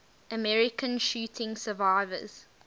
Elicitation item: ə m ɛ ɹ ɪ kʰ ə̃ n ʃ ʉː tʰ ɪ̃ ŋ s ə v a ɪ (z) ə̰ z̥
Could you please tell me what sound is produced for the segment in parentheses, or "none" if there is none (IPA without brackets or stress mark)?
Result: v